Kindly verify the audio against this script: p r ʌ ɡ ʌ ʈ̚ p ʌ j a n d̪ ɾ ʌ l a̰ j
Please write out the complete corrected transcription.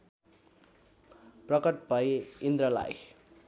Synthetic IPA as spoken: p r ʌ k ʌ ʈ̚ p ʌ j i n d̪ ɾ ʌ l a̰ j